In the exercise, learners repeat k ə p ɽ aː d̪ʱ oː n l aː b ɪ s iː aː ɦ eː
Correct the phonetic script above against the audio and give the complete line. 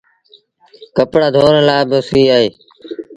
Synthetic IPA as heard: k ə p ɽ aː d̪ʱ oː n l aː b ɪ s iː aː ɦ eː